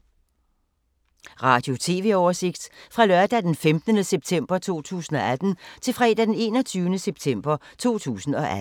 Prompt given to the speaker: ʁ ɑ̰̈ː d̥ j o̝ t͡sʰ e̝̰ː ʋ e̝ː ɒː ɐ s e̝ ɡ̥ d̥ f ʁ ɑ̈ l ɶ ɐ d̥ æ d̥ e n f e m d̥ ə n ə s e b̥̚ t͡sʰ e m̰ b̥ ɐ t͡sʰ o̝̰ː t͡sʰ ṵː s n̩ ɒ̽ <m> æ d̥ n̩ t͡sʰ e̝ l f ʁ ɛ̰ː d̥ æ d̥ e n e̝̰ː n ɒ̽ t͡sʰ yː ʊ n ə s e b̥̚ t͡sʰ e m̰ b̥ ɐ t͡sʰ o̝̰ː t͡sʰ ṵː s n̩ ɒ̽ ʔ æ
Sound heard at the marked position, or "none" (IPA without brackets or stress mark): none